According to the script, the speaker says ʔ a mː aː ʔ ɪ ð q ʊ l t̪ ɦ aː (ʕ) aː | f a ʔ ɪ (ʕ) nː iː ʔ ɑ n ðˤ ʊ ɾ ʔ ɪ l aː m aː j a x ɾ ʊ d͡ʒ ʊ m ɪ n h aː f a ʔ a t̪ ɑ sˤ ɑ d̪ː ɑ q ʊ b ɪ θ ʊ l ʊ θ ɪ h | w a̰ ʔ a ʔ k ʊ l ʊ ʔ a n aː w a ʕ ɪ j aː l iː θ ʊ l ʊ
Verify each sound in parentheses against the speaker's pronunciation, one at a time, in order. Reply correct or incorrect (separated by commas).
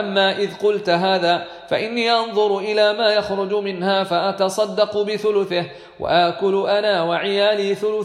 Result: incorrect, incorrect